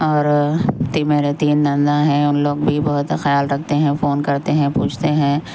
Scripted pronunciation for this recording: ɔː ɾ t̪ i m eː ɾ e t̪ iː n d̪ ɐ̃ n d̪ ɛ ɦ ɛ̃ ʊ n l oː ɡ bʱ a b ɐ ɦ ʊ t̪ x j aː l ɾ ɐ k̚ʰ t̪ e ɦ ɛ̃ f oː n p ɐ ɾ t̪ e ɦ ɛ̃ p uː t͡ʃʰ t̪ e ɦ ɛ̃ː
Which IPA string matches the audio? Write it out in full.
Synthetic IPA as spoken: ɔː ɾ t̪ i m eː ɾ e t̪ iː n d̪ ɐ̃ n d̪ a ɦ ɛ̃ ʊ n l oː ɡ bʱ i b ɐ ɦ ʊ t̪ x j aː l ɾ ɐ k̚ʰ t̪ e ɦ ɛ̃ f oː n k ɐ ɾ t̪ e ɦ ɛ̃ p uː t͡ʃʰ t̪ e ɦ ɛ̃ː